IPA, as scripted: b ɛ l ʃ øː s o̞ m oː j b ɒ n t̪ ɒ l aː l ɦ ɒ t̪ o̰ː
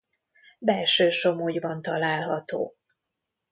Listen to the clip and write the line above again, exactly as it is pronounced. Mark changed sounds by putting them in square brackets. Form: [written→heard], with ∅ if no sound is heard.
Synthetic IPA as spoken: b ɛ l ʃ øː [s→ʃ] o̞ m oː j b ɒ n t̪ ɒ l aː l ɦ ɒ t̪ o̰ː